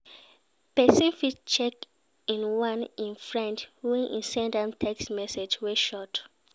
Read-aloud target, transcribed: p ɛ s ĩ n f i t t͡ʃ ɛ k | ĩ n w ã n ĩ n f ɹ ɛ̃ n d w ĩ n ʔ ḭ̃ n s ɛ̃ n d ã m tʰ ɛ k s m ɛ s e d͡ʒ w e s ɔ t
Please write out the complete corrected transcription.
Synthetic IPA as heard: p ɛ s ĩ n f i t t͡ʃ ɛ k | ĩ n w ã n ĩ n f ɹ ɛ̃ n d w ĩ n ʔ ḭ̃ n s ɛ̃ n d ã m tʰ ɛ k s m ɛ s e d͡ʒ w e ʃ ɔ t